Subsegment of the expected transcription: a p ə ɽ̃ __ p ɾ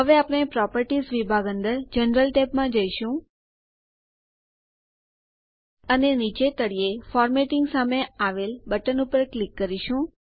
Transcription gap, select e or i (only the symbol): e